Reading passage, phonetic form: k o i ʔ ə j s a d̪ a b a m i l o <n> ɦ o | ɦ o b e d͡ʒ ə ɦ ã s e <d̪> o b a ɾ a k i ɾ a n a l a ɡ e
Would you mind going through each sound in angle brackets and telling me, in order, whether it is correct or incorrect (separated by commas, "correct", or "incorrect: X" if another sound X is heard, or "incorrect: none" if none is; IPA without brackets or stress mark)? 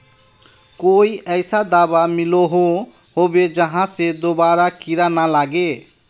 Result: incorrect: none, correct